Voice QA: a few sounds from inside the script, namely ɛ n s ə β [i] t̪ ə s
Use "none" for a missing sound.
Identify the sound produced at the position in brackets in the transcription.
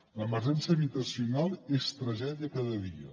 i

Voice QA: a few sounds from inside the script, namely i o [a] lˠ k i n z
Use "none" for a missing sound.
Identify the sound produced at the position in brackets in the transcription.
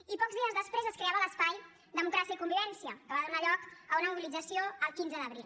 ə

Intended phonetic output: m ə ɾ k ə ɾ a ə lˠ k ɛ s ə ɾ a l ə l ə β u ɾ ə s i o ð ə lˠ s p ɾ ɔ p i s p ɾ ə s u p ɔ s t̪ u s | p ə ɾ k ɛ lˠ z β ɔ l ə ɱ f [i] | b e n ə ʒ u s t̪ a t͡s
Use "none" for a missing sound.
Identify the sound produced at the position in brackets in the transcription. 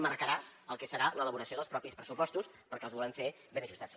e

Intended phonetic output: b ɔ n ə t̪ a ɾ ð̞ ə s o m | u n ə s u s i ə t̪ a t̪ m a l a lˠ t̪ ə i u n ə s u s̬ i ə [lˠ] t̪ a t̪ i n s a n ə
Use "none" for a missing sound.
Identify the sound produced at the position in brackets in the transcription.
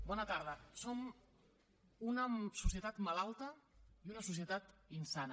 none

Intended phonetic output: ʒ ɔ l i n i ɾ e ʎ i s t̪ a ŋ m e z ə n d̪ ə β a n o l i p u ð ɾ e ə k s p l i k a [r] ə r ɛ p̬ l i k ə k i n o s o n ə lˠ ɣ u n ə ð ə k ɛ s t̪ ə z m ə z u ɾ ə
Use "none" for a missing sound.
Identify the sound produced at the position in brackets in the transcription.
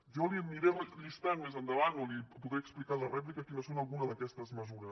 l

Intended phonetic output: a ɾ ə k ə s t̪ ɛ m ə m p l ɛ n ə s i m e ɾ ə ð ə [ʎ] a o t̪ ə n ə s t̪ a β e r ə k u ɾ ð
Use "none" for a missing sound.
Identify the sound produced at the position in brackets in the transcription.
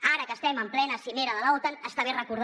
l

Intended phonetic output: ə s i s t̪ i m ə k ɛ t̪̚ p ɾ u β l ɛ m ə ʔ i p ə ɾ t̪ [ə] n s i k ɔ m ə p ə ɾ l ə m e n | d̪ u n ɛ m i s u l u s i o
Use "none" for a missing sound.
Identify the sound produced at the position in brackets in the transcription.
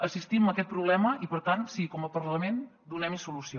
a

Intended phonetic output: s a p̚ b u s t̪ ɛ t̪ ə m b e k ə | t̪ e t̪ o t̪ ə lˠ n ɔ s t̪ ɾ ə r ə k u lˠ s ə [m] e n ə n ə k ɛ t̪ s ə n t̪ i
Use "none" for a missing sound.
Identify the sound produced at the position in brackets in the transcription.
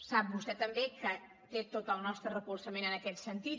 m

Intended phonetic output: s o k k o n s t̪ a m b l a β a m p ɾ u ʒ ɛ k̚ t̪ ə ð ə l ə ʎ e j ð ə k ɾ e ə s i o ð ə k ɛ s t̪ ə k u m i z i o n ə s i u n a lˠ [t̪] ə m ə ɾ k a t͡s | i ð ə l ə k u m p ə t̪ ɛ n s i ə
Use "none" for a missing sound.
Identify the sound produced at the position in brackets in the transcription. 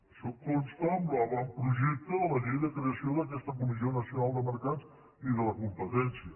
d̪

